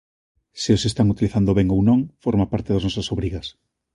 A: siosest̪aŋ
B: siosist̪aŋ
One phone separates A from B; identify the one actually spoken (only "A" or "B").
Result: A